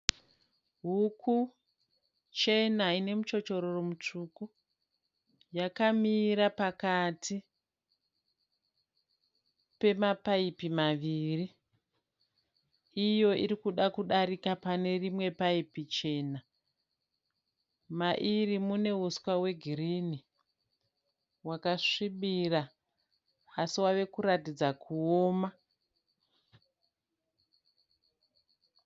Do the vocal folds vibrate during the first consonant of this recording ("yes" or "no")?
yes